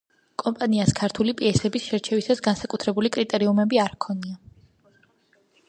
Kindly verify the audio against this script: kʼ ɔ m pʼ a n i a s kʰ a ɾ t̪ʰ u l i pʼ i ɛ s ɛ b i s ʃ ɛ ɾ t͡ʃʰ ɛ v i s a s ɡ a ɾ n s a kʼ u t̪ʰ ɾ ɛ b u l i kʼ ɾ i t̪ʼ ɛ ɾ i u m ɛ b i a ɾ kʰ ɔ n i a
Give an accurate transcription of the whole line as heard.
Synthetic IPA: kʼ ɔ m pʼ a n i a s kʰ a ɾ t̪ʰ u l i pʼ i ɛ s ɛ b i s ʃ ɛ ɾ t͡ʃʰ ɛ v i s a s ɡ a n s a kʼ u t̪ʰ ɾ ɛ b u l i kʼ ɾ i t̪ʼ ɛ ɾ i u m ɛ b i a ɾ kʰ ɔ n i a